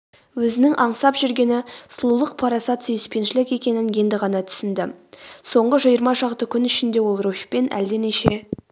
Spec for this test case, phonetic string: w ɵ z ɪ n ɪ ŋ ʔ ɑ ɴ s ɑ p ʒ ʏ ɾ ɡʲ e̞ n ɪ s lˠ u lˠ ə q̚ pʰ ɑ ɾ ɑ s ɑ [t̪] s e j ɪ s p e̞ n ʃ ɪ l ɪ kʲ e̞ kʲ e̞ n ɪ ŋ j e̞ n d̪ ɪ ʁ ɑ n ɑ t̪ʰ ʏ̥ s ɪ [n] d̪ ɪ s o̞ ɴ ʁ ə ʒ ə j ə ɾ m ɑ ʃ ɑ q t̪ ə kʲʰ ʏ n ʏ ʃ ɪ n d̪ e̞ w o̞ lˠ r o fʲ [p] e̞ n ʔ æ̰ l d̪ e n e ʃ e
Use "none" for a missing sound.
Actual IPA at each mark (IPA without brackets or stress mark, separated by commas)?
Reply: t̪, n, p